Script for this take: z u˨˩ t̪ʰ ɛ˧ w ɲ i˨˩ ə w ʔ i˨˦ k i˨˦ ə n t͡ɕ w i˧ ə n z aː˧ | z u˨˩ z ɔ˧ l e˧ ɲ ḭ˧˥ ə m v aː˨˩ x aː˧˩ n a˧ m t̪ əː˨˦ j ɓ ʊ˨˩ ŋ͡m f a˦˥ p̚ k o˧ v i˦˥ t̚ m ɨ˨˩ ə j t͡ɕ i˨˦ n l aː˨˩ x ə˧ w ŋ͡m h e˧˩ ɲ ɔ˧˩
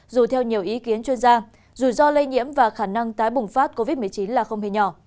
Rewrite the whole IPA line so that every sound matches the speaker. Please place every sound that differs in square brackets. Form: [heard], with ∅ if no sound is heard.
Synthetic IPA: z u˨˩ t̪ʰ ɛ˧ w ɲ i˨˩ ə w ʔ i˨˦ k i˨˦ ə n t͡ɕ w i˧ ə n z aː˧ | z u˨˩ z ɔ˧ l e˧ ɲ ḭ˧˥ ə m v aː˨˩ x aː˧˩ n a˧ [ŋ] t̪ [aː˨˦] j ɓ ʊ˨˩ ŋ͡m f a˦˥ [t̚] k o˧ v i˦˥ t̚ m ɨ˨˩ ə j t͡ɕ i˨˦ n l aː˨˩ x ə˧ w ŋ͡m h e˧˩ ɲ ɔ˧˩